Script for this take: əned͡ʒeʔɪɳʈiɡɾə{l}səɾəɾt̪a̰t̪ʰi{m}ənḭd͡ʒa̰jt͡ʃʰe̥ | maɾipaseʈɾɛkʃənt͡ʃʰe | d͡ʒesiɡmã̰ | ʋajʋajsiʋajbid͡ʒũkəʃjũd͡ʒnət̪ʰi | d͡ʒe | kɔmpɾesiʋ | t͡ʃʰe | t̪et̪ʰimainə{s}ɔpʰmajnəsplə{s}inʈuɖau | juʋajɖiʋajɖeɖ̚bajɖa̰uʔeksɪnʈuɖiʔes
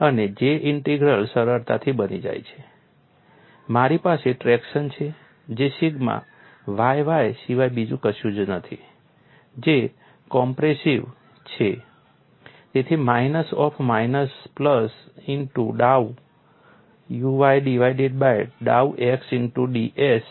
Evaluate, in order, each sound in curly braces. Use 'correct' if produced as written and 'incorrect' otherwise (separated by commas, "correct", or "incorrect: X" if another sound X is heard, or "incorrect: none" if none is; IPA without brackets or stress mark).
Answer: correct, incorrect: b, correct, correct